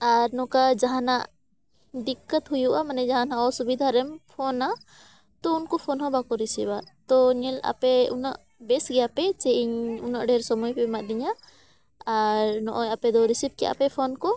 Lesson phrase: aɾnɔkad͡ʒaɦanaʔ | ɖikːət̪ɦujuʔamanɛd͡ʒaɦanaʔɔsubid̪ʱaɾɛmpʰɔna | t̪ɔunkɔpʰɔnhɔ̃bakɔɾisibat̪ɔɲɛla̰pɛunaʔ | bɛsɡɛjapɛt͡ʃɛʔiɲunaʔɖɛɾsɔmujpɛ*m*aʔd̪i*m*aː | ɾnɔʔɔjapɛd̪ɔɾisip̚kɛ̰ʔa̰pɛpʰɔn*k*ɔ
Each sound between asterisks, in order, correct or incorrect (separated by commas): correct, incorrect, correct